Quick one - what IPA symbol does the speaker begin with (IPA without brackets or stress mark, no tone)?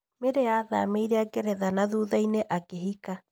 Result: m